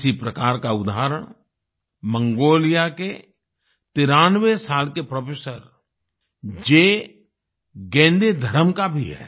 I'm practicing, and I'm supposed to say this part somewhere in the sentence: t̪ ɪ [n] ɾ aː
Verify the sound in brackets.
incorrect: none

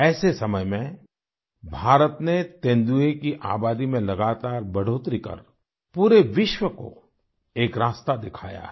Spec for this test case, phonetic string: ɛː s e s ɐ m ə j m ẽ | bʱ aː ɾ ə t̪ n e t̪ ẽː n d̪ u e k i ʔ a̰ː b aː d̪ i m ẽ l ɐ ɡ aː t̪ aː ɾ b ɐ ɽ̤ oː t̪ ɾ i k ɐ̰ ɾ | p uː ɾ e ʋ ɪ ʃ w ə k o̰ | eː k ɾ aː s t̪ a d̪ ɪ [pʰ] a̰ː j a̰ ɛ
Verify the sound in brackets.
incorrect: kʰ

